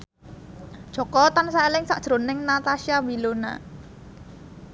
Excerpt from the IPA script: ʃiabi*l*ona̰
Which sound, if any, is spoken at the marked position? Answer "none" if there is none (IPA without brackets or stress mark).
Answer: l